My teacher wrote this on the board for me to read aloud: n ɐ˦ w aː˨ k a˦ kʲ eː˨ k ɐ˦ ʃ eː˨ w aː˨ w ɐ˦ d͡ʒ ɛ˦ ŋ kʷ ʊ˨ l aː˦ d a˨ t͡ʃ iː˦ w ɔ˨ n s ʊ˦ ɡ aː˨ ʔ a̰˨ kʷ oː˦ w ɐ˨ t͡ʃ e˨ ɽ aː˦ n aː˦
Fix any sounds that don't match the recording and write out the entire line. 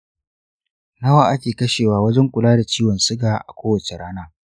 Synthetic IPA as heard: n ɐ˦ w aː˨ ʔ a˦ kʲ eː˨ k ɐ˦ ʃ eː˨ w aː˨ w ɐ˦ d͡ʒ ɛ˦ ŋ kʷ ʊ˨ l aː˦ d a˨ t͡ʃ iː˦ w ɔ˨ n s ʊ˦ ɡ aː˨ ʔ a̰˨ kʷ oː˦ w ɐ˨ t͡ʃ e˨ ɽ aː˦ n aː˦